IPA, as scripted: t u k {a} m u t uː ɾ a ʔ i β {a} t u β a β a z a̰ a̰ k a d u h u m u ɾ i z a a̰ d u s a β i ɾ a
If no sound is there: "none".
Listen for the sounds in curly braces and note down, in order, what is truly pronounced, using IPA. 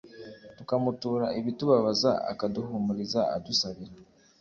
a, i

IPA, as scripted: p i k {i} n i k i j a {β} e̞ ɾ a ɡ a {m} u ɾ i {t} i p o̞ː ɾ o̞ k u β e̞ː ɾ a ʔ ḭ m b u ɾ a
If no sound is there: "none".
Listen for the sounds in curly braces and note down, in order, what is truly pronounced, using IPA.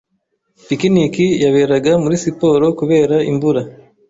i, β, m, s

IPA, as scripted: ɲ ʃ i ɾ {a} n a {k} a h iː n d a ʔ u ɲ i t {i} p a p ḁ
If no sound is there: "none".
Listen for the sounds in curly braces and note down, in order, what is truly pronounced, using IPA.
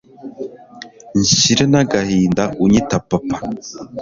e, ɡ, a

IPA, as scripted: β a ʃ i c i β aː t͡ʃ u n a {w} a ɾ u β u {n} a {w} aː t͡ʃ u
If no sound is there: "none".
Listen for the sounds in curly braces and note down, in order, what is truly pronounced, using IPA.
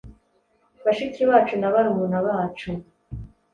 β, n, β

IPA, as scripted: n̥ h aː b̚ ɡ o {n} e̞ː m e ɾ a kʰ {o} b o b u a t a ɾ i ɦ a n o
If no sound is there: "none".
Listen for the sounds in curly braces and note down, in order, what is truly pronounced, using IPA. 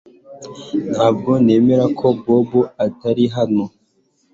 n, o

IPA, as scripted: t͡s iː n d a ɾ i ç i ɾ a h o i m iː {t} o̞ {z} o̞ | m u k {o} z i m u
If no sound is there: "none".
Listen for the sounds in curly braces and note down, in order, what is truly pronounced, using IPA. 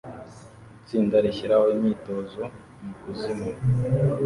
t, z, u

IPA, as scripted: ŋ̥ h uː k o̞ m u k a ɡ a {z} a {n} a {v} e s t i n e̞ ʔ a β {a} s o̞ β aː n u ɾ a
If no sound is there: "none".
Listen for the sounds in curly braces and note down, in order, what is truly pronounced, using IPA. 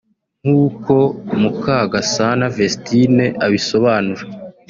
s, n, v, i

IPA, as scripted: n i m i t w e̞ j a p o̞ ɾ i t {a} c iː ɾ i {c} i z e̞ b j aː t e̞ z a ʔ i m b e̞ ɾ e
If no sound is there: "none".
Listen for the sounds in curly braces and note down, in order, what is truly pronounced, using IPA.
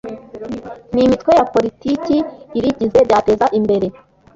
i, ɟ

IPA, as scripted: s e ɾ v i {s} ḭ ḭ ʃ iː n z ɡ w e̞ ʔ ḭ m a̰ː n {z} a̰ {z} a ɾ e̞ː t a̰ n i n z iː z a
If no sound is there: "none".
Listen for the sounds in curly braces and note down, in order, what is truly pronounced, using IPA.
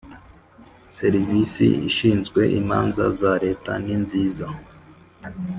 s, z, z

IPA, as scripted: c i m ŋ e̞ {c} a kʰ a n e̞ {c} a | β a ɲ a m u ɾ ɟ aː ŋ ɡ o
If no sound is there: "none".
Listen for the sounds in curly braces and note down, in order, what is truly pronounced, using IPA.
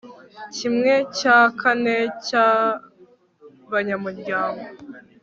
c, c

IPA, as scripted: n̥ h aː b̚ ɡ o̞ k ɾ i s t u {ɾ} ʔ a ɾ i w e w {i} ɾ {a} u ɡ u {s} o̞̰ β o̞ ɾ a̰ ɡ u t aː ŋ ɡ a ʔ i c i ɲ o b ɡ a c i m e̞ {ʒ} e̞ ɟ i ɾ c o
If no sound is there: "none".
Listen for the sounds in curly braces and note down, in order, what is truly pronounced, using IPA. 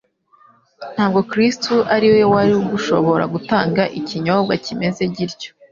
none, a, i, ʃ, z

